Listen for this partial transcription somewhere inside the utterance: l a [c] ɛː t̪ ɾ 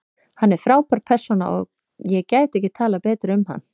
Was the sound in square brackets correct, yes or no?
no